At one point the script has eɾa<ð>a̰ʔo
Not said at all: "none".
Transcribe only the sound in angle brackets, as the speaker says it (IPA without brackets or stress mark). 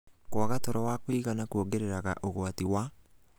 ɣ